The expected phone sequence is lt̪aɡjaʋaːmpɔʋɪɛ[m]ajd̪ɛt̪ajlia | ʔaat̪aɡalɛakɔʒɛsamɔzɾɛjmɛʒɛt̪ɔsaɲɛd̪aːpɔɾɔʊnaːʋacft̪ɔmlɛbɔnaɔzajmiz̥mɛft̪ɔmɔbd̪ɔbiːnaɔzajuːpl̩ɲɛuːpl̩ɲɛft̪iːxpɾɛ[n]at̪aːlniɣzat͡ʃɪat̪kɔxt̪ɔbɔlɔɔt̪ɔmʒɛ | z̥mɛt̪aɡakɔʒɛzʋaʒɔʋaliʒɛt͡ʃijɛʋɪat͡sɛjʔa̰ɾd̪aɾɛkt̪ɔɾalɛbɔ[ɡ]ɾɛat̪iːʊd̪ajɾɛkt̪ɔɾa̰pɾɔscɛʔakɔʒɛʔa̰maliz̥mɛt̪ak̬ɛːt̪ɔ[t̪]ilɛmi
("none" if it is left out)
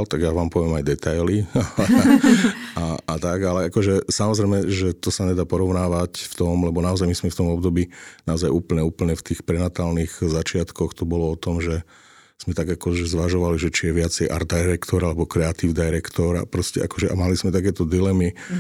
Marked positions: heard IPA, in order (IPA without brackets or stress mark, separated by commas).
m, n, k, d̪